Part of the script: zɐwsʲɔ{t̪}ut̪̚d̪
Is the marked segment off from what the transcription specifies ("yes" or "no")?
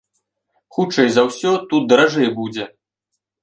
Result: no